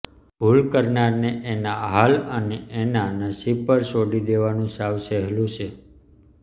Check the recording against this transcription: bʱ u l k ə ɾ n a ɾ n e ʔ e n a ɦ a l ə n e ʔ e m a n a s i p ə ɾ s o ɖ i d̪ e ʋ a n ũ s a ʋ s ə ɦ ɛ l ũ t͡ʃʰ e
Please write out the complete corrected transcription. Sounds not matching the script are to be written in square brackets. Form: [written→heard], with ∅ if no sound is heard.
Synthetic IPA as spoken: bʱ u l k ə ɾ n a ɾ n e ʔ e n a ɦ a l ə n e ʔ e [m→n] a n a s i p ə ɾ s o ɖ i d̪ e ʋ a n ũ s a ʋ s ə ɦ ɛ l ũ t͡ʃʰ e

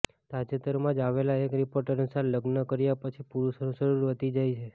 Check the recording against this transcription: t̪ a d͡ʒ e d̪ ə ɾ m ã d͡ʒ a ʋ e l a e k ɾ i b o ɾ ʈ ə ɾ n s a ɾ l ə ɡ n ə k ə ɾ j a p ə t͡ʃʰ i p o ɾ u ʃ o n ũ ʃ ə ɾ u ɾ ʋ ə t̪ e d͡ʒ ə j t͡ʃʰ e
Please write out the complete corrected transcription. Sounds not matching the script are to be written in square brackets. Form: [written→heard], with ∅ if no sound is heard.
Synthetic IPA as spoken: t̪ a d͡ʒ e [d̪→t̪] ə ɾ m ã d͡ʒ a ʋ e l a e k ɾ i [b→p] o ɾ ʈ ə ɾ n s a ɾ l ə ɡ n ə k ə ɾ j a p ə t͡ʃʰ i p [o→u] ɾ u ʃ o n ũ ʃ ə ɾ u ɾ ʋ ə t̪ [e→i] d͡ʒ [ə→a] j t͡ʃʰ e

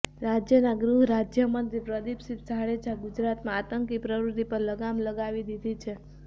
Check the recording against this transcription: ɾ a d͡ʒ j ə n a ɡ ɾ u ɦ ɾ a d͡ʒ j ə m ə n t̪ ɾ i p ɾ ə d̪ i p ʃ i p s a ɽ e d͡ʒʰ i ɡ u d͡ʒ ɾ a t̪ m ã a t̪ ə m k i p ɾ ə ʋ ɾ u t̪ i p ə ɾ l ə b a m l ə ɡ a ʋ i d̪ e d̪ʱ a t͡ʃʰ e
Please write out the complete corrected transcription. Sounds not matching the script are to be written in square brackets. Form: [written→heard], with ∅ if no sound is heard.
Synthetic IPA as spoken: ɾ a d͡ʒ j ə n a ɡ ɾ u ɦ ɾ a d͡ʒ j ə m ə n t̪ ɾ i p ɾ ə d̪ i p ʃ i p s a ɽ e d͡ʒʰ [i→a] ɡ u d͡ʒ ɾ a t̪ m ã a t̪ ə [m→ŋ] k i p ɾ ə ʋ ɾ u t̪ i p ə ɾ l ə [b→ɡ] a m l ə ɡ a ʋ i d̪ [e→i] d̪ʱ [a→i] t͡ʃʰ e

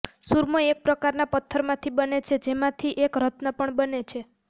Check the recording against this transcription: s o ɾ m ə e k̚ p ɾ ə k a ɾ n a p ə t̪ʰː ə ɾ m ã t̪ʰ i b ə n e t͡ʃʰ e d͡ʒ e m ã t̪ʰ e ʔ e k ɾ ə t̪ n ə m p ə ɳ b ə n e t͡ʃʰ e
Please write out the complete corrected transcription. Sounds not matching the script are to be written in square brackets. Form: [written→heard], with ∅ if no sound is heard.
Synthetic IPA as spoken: s [o→u] ɾ m ə e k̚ p ɾ ə k a ɾ n a p ə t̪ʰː ə ɾ m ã t̪ʰ i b ə n e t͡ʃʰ e d͡ʒ e m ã t̪ʰ [e→i] ʔ e k ɾ ə t̪ n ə [m→∅] p ə ɳ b ə n e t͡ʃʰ e

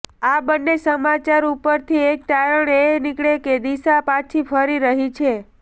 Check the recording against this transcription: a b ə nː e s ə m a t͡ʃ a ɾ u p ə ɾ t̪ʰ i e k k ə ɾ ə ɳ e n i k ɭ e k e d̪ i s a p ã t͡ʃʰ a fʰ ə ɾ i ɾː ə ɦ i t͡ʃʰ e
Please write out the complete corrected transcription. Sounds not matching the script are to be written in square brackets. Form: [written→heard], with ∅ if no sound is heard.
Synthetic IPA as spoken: a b ə nː e s ə m a t͡ʃ a ɾ u p ə ɾ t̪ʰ i e k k [ə→a] ɾ ə ɳ e n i k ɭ e k e d̪ i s a p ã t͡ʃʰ [a→i] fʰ ə ɾ i [ɾː→ɾ] ə ɦ i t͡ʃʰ e

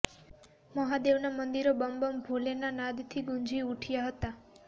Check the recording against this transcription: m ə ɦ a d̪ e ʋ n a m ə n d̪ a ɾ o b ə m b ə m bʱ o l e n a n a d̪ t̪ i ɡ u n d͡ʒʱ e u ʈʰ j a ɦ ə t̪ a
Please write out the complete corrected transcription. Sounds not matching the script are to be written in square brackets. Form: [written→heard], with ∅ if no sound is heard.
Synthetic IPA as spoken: m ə ɦ a d̪ e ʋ n a m ə n d̪ [a→i] ɾ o b ə m b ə m bʱ o l e n a n a d̪ [t̪→t̪ʰ] i ɡ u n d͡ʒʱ [e→i] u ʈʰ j a ɦ ə t̪ a

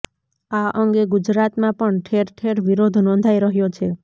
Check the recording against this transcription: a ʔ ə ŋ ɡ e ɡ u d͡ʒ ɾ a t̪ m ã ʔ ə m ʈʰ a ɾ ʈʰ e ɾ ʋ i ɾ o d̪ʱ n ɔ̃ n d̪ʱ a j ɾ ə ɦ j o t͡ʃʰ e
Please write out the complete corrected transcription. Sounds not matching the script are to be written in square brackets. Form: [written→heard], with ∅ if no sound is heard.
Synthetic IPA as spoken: a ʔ ə ŋ ɡ e ɡ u d͡ʒ ɾ a t̪ m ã [ʔ→p] ə [m→ɳ] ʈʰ [a→e] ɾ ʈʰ e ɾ ʋ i ɾ o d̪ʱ n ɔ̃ n d̪ʱ a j ɾ ə ɦ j o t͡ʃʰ e

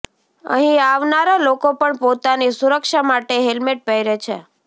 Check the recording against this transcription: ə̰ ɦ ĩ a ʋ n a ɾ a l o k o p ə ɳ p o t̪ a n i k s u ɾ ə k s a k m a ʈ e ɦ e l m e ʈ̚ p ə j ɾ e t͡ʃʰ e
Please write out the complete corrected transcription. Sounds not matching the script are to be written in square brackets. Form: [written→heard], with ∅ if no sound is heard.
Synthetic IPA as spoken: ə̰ ɦ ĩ a ʋ n a ɾ a l o k o p ə ɳ p o t̪ a n i [k→∅] s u ɾ ə k [s→ʃ] a [k→∅] m a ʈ e ɦ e l m e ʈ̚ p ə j ɾ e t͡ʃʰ e

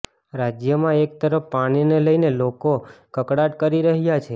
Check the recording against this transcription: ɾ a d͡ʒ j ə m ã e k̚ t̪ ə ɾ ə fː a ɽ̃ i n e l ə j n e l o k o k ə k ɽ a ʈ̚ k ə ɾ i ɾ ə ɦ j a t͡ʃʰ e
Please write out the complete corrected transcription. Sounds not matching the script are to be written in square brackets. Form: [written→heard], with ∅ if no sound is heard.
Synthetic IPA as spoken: ɾ a d͡ʒ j ə m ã e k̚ t̪ ə ɾ ə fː a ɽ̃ i n e l ə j n e l o k o k ə k ɽ a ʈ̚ k ə ɾ i ɾ ə ɦ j a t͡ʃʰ e

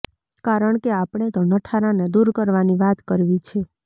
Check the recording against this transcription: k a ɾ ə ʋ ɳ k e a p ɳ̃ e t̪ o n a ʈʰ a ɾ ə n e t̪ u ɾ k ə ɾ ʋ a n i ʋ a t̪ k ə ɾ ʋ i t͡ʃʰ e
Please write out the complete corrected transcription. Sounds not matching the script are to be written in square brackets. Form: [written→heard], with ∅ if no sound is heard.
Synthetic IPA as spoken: k a ɾ ə [ʋ→∅] ɳ k e a p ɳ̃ e t̪ o n [a→ə] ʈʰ a ɾ [ə→a] n e [t̪→d̪] u ɾ k ə ɾ ʋ a n i ʋ a t̪ k ə ɾ ʋ i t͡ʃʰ e

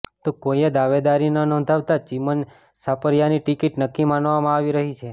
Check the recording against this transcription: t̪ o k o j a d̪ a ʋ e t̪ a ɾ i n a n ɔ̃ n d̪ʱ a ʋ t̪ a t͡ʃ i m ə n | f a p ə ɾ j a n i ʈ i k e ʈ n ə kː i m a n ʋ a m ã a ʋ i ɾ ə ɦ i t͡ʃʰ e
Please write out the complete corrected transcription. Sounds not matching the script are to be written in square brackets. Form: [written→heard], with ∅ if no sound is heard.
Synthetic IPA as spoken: t̪ o k o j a d̪ a ʋ e [t̪→d̪] a ɾ i n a n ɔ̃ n d̪ʱ a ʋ t̪ a t͡ʃ i m ə n | [f→s] a p ə ɾ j a n i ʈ i k [e→i] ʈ n ə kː i m a n ʋ a m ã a ʋ i ɾ ə ɦ i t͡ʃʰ e

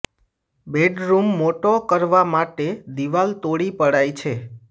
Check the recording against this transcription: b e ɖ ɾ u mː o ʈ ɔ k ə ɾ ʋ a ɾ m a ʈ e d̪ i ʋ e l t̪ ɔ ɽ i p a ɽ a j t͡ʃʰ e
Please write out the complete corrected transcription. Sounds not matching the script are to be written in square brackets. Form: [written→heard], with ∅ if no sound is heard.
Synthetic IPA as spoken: b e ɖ ɾ u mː o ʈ [ɔ→o] k ə ɾ ʋ a [ɾ→∅] m a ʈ e d̪ i ʋ [e→a] l t̪ [ɔ→o] ɽ i p [a→ə] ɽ a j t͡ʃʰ e

